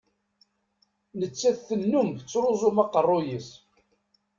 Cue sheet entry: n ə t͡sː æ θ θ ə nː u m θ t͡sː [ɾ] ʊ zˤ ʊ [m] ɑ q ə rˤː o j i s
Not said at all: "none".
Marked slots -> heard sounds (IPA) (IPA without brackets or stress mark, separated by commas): ɾ, m